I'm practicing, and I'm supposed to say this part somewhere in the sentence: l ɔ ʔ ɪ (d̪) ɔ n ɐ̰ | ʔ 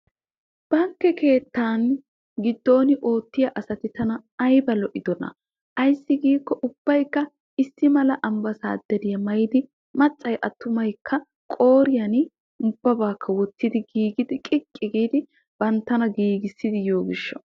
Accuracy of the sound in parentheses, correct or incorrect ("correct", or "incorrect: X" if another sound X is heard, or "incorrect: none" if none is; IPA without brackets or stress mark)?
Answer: correct